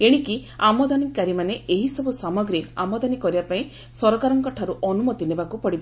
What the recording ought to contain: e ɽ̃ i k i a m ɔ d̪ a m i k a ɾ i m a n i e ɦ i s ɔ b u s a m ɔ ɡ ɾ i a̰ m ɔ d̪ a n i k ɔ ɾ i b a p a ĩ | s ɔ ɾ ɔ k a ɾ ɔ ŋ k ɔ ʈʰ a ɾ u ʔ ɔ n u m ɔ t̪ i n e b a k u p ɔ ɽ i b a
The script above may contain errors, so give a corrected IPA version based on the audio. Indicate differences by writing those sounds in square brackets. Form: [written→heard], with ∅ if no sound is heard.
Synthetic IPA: e ɽ̃ i k i a m ɔ d̪ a [m→n] i k a ɾ i m a n [i→e] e ɦ i s ɔ b u s a m ɔ ɡ ɾ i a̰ m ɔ d̪ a n i k ɔ ɾ i b a p a ĩ | s ɔ ɾ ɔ k a ɾ ɔ ŋ k ɔ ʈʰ a ɾ u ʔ ɔ n u m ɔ t̪ i n e b a k u p ɔ ɽ i b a